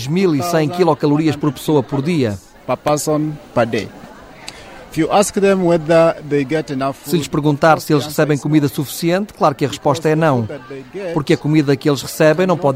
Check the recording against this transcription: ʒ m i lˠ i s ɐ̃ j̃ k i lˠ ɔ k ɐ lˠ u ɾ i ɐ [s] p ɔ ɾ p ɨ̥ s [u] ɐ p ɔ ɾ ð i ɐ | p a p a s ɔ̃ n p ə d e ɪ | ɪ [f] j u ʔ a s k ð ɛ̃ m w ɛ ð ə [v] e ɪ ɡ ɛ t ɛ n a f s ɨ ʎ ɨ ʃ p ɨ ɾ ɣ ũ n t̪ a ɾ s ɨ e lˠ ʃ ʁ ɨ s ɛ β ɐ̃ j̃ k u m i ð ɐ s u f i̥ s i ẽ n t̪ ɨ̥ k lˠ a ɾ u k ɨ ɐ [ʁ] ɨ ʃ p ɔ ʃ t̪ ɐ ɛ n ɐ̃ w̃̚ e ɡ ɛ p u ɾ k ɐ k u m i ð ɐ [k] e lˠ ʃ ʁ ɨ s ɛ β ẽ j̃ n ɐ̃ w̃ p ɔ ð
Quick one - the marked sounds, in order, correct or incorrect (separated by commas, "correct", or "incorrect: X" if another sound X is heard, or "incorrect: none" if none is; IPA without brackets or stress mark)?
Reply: incorrect: ʃ, incorrect: o, correct, incorrect: ð, correct, correct